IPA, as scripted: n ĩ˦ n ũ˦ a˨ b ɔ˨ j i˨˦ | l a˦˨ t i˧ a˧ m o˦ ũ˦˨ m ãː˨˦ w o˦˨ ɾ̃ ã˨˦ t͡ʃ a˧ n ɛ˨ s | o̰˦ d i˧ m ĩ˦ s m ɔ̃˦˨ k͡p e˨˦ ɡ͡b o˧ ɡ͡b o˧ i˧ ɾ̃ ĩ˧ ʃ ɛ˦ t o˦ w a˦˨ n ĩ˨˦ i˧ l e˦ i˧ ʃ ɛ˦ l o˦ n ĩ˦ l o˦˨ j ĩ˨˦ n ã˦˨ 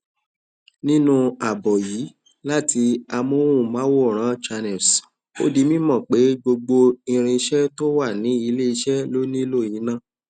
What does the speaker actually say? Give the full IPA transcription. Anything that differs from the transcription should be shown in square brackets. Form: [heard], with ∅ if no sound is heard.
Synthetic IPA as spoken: n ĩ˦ n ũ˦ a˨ b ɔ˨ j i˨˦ | l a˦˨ t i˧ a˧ m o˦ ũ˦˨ m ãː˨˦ w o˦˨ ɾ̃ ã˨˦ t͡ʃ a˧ n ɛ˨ s | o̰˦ d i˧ m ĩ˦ [∅] m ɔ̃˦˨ k͡p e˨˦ ɡ͡b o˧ ɡ͡b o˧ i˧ ɾ̃ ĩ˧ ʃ ɛ˦ t o˦ w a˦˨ n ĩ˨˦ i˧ l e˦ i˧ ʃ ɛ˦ l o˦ n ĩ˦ l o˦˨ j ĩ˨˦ n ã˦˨